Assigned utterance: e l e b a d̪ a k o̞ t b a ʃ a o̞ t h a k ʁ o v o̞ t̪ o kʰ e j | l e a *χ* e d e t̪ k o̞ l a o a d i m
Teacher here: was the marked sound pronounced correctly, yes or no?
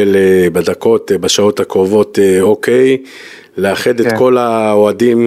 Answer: yes